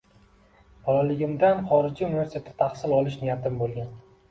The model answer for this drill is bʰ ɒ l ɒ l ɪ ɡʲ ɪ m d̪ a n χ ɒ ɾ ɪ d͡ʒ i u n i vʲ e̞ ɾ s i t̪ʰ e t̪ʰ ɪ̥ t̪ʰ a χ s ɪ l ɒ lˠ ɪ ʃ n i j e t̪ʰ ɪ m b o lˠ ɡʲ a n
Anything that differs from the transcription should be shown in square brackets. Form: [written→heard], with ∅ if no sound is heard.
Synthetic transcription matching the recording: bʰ ɒ l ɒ l ɪ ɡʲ ɪ m d̪ a n χ ɒ ɾ ɪ d͡ʒ i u n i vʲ e̞ ɾ s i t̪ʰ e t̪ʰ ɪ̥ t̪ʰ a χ s ɪ l ɒ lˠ ɪ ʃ n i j [e→a] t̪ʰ ɪ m b o lˠ ɡʲ a n